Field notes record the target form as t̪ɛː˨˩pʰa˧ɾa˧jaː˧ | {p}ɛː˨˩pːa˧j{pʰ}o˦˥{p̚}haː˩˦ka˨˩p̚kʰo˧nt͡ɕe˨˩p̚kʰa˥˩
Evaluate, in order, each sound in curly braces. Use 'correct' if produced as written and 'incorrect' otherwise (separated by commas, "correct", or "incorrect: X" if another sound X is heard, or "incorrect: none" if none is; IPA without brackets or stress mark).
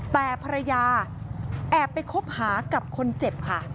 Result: incorrect: ʔ, incorrect: kʰ, correct